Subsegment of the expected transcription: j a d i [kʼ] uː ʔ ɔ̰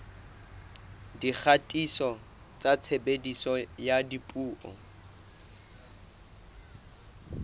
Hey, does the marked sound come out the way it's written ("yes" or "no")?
no